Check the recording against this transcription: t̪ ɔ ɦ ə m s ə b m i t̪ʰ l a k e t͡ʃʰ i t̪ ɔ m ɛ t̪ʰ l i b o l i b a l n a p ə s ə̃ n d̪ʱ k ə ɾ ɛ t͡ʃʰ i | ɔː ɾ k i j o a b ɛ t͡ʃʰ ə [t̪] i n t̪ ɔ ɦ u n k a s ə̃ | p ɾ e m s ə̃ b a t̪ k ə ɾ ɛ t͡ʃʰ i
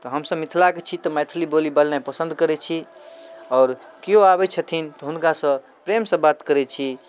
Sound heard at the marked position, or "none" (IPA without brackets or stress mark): t̪ʰ